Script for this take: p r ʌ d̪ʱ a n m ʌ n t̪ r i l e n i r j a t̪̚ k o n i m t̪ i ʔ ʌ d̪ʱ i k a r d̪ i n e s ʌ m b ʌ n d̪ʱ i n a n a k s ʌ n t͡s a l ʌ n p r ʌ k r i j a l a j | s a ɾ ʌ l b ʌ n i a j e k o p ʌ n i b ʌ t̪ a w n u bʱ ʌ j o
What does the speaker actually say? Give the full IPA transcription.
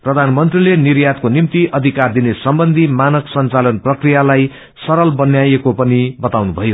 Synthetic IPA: p r ʌ d̪ʱ a n m ʌ n t̪ r i l e n i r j a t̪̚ k o n i m t̪ i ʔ ʌ d̪ʱ i k a r d̪ i n e s ʌ m b ʌ n d̪ʱ i m a n ʌ k s ʌ n t͡s a l ʌ n p r ʌ k r i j a l a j | s ʌ ɾ ʌ l b ʌ n j a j e k o p ʌ n i b ʌ t̪ a w n u bʱ ʌ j o